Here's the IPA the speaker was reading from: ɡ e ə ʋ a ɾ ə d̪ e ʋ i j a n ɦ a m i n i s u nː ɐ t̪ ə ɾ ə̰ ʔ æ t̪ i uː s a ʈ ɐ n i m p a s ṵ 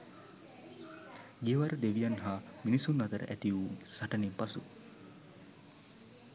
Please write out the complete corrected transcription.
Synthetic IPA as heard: ɡ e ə ʋ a ɾ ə d̪ e ʋ i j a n ɦ a m i n i s u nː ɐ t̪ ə ɾ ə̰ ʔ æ t̪ i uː s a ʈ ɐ n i m p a s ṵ